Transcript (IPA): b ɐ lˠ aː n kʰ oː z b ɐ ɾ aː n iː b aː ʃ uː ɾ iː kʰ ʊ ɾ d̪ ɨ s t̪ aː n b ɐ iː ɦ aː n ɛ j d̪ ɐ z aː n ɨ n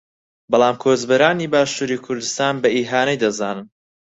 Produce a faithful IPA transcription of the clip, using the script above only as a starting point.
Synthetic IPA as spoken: b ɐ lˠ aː m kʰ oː z b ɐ ɾ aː n iː b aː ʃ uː ɾ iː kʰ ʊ ɾ d̪ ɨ s t̪ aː n b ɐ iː ɦ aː n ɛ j d̪ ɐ z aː n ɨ n